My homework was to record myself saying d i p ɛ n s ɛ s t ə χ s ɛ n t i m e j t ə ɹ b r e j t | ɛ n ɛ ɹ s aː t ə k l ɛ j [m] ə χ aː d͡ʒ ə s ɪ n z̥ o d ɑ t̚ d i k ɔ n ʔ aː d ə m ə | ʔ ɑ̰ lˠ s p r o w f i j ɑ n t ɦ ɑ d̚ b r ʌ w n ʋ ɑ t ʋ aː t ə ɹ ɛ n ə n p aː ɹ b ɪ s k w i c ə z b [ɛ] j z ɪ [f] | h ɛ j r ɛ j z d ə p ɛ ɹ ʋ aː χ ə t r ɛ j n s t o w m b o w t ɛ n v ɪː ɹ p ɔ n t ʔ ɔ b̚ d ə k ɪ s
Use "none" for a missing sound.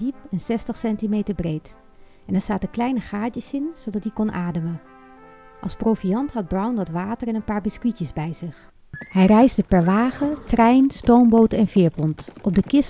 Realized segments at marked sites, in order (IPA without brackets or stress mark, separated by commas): n, ɛ, χ